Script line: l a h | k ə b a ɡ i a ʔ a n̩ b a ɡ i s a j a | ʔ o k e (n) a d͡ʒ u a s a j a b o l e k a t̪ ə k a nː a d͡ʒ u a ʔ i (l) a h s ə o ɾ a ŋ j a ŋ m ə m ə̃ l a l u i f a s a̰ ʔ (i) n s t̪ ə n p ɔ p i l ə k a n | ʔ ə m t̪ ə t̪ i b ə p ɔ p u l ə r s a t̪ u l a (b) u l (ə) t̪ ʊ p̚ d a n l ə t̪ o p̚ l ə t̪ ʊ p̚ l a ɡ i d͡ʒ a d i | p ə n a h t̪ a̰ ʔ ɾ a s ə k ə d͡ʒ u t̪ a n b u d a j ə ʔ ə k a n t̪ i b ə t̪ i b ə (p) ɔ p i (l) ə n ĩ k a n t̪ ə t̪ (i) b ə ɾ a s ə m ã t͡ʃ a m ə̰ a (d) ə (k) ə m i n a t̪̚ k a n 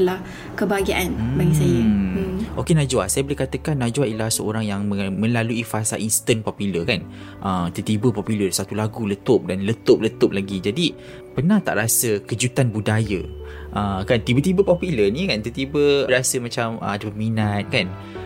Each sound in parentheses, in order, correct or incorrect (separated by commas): correct, correct, correct, incorrect, correct, correct, correct, correct, correct, incorrect